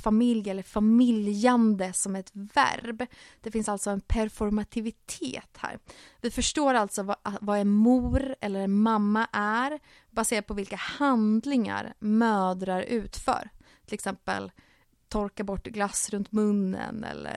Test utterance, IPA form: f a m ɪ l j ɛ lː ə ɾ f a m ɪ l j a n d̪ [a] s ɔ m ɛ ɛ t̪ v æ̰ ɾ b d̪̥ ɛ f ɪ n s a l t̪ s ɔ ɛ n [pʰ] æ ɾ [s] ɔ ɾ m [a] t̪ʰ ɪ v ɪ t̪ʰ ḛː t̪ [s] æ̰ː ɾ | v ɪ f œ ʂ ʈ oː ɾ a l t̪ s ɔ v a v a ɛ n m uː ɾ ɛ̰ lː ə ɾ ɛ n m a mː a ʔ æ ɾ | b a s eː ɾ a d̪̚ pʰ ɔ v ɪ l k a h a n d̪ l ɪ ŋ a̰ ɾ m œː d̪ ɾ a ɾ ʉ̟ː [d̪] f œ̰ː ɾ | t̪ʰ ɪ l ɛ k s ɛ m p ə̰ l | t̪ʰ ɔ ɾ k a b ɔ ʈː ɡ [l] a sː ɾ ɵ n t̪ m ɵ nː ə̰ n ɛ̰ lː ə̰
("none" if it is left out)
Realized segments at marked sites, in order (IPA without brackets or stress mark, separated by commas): ə, pʰ, f, a, h, t̪, l